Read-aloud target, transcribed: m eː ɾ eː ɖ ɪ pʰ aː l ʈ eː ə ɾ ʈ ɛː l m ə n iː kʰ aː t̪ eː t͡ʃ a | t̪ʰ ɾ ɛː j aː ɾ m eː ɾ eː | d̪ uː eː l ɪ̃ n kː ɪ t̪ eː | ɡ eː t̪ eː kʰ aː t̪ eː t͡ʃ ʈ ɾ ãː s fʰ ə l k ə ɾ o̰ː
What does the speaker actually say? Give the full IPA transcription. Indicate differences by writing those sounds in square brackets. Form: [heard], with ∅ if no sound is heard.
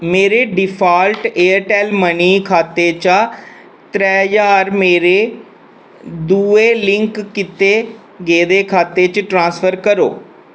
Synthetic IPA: m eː ɾ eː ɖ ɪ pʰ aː l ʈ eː ə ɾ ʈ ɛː l m ə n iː kʰ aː t̪ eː t͡ʃ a | [t̪] ɾ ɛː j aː ɾ m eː ɾ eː | d̪ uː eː l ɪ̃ [ŋ] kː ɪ t̪ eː | ɡ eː [d̪] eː kʰ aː t̪ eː t͡ʃ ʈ ɾ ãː s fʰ ə [ɾ] k ə ɾ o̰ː